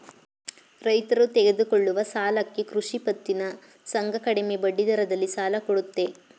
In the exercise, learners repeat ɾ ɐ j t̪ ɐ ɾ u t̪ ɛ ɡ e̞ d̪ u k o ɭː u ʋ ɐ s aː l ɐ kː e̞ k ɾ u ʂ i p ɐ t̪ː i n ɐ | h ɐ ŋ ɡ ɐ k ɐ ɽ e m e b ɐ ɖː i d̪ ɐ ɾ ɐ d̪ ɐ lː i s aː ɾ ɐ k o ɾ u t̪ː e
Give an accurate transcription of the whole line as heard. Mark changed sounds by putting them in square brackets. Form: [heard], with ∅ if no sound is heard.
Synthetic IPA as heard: ɾ ɐ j t̪ ɐ ɾ u t̪ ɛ ɡ e̞ d̪ u k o ɭː u ʋ ɐ s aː l ɐ kː e̞ k ɾ u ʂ i p ɐ t̪ː i n ɐ | [s] ɐ ŋ ɡ ɐ k ɐ ɽ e m e b ɐ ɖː i d̪ ɐ ɾ ɐ d̪ ɐ lː i s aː [l] ɐ k o [ɽ] u t̪ː e

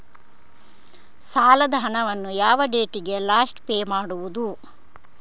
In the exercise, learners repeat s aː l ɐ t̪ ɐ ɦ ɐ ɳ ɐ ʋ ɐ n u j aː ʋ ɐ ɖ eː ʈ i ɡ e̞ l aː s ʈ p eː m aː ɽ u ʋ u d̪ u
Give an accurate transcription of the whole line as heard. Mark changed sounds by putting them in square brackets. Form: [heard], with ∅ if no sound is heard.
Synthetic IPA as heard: s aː l ɐ [d̪] ɐ ɦ ɐ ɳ ɐ ʋ ɐ [nː] u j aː ʋ ɐ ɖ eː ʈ i ɡ e̞ l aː s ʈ p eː m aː ɽ u ʋ u d̪ u

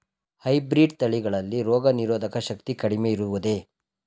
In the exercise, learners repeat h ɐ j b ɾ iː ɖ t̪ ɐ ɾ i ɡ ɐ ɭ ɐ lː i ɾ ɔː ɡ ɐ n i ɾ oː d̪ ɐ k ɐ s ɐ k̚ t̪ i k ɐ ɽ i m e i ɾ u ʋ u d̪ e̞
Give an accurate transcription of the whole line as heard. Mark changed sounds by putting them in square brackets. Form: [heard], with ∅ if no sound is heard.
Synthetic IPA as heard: h ɐ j b ɾ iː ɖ t̪ ɐ [ɭ] i ɡ ɐ ɭ ɐ lː i ɾ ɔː ɡ ɐ n i ɾ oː d̪ ɐ k ɐ [ʃ] ɐ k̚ t̪ i k ɐ ɽ i m e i ɾ u ʋ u d̪ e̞

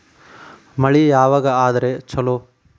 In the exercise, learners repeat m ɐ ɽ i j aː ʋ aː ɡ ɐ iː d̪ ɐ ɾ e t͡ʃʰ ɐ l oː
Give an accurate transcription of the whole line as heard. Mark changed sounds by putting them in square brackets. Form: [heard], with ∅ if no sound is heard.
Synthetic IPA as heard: m ɐ [ɭ] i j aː ʋ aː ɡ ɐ [aː] d̪ ɐ ɾ e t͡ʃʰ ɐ l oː

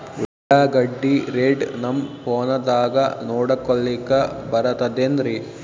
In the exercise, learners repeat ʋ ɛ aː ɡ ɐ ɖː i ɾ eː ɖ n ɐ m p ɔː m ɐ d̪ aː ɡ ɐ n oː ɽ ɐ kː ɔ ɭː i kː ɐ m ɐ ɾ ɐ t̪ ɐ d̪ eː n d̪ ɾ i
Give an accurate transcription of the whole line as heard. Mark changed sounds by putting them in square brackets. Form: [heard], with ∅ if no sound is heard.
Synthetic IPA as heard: ʋ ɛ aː ɡ ɐ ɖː i ɾ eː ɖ n ɐ m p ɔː [n] ɐ d̪ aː ɡ ɐ n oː ɽ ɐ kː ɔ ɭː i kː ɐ [b] ɐ ɾ ɐ t̪ ɐ d̪ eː n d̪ ɾ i

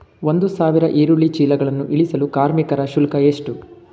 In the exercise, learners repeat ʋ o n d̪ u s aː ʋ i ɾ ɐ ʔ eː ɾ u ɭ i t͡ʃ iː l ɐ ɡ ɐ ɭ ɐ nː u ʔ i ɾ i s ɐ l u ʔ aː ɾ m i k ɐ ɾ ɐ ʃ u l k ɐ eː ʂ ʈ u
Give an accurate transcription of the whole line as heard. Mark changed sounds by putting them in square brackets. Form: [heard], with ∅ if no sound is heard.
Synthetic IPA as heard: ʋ o n d̪ u s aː ʋ i ɾ ɐ ʔ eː ɾ u ɭ i t͡ʃ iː l ɐ ɡ ɐ ɭ ɐ nː u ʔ i [ɭ] i s ɐ l u [k] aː ɾ m i k ɐ ɾ ɐ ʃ u l k ɐ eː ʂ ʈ u

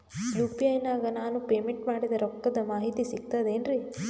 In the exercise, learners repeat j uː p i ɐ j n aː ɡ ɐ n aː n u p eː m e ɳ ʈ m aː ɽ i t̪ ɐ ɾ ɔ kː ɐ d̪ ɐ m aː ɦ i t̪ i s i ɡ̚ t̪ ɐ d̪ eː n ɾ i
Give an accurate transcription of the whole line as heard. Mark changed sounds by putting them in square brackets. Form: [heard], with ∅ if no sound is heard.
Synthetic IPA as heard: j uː p i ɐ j n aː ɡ ɐ n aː n u p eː m e ɳ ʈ m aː ɽ i [d̪] ɐ ɾ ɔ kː ɐ d̪ ɐ m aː ɦ i t̪ i s i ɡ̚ t̪ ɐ d̪ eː n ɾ i

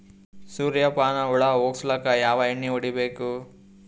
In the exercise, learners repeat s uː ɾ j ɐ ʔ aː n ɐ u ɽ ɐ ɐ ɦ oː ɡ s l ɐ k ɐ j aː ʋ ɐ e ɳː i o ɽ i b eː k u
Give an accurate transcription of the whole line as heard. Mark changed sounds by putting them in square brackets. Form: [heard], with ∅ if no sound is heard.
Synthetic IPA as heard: s uː ɾ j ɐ [p] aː n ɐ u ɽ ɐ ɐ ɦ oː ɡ s l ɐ k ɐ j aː ʋ ɐ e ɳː i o ɽ i b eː k u

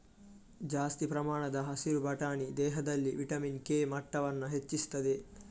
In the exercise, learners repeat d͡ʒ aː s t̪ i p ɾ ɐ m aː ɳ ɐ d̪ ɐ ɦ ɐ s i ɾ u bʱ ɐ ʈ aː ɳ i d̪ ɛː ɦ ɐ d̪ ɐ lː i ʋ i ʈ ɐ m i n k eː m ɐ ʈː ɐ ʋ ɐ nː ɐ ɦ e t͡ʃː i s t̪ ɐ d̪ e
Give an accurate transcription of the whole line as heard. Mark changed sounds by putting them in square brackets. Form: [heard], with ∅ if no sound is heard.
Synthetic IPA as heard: d͡ʒ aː s t̪ i p ɾ ɐ m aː ɳ ɐ d̪ ɐ ɦ ɐ s i ɾ u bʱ ɐ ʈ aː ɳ i d̪ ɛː ɦ ɐ d̪ ɐ lː i ʋ i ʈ ɐ m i n k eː m ɐ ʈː ɐ ʋ ɐ nː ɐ ɦ e t͡ʃː i s t̪ ɐ d̪ e

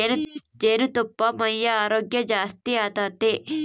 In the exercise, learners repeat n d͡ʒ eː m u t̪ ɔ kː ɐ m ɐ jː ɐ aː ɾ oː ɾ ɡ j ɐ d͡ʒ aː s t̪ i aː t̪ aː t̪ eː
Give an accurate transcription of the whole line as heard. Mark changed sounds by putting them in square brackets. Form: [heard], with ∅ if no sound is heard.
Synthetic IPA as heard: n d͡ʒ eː [n] u t̪ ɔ [pː] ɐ m ɐ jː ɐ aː ɾ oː [∅] ɡ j ɐ d͡ʒ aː s t̪ i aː t̪ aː t̪ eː

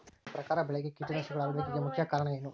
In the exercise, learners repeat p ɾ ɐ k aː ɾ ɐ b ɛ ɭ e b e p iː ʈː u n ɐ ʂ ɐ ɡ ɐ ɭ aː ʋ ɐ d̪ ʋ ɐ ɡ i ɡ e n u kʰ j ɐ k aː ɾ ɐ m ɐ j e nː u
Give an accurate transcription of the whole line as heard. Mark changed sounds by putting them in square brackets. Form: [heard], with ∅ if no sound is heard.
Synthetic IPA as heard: p ɾ ɐ k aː ɾ ɐ b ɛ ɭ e [ɡ] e [k] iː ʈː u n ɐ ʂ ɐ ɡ ɐ ɭ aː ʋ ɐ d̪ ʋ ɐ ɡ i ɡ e [m] u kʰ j ɐ k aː ɾ ɐ [ɳ] ɐ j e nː u

